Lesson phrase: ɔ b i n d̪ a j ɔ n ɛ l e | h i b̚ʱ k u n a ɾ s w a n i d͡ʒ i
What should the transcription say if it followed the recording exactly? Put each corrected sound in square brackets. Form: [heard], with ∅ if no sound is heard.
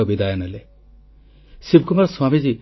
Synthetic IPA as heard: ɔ b i [∅] d̪ a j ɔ n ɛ l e | [s] i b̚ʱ k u [m] a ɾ s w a [m] i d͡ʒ i